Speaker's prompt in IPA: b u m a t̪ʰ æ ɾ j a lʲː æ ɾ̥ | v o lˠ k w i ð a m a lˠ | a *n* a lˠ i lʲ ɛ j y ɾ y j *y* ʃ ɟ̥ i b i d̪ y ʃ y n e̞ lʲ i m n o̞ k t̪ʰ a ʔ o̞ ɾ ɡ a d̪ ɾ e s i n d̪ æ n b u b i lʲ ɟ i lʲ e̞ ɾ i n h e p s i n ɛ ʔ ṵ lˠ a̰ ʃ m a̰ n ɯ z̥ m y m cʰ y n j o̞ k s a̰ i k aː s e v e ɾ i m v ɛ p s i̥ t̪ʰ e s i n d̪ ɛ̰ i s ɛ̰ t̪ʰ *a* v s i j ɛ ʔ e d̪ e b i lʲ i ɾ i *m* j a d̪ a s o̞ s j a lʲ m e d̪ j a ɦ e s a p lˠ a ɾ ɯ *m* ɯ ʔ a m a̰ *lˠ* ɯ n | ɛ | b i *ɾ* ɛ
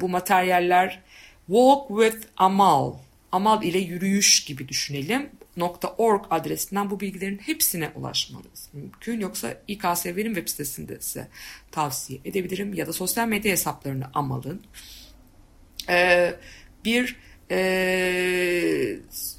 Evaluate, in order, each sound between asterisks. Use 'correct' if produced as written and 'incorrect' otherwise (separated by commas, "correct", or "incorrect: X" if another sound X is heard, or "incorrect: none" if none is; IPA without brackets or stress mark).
incorrect: m, correct, correct, correct, incorrect: n, correct, correct